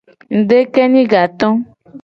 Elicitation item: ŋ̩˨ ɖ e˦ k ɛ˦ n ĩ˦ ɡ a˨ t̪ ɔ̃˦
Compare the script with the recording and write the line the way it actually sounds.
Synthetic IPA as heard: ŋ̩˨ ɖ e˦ k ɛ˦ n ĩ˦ ɡ a˨ t̪ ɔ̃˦